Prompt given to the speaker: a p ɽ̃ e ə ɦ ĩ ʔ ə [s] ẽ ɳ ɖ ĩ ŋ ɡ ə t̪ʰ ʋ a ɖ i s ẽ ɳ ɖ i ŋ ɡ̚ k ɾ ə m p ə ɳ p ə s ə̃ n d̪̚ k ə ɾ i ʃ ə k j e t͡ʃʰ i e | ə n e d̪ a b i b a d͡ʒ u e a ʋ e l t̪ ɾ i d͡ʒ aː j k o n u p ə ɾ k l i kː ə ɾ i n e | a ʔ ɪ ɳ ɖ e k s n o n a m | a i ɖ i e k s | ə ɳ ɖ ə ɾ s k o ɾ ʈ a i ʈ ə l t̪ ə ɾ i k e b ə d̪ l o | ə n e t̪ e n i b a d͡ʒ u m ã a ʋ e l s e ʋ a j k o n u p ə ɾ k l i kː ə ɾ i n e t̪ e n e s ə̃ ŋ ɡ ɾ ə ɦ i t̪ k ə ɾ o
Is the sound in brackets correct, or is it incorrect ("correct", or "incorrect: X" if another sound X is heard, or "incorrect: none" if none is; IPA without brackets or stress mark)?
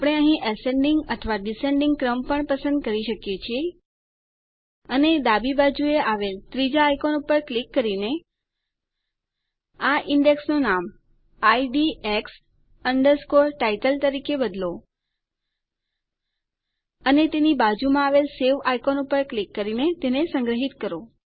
correct